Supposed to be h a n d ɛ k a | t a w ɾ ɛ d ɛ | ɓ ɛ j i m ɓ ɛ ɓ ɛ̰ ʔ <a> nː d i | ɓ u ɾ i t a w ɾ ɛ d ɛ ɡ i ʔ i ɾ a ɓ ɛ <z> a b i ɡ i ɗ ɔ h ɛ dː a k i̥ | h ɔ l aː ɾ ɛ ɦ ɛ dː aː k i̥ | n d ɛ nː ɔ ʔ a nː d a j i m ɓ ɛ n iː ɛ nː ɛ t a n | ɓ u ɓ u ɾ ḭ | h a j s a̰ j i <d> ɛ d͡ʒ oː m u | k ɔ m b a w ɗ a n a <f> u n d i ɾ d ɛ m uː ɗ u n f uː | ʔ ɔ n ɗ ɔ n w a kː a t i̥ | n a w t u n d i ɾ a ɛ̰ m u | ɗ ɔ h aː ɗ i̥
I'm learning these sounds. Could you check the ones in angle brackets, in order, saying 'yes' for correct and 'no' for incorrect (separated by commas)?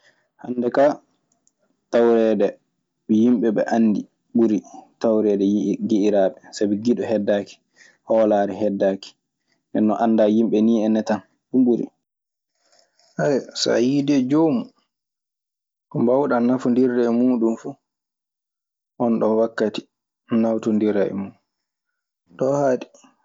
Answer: yes, no, yes, yes